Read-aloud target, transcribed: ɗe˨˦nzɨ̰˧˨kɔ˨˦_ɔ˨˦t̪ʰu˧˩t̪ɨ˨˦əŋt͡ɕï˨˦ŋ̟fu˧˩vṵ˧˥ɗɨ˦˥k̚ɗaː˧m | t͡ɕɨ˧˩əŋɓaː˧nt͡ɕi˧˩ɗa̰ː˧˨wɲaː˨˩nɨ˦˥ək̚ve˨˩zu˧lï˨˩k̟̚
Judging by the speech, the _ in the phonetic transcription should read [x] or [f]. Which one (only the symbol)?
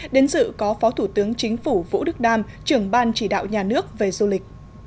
f